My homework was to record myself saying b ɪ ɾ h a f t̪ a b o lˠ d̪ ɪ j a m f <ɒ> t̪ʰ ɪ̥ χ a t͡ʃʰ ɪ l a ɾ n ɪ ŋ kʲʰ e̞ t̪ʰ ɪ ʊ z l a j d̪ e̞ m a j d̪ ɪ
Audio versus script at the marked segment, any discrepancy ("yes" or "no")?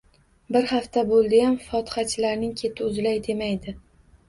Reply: no